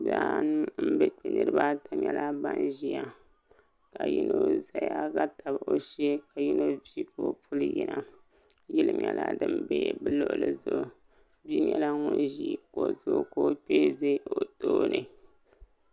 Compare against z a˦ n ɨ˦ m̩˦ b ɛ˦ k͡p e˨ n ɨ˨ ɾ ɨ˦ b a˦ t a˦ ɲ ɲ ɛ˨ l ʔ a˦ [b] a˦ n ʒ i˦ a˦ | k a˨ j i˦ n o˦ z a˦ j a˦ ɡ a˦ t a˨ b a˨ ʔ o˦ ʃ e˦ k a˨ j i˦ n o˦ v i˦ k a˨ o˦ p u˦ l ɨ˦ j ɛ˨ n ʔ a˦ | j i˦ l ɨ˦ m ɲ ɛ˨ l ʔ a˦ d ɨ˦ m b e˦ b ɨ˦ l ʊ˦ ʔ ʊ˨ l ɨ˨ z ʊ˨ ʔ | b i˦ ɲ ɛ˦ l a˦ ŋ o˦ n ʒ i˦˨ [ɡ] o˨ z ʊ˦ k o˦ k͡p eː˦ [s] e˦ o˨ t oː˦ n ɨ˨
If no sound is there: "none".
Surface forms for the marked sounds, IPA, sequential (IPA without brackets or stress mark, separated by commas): b, k, z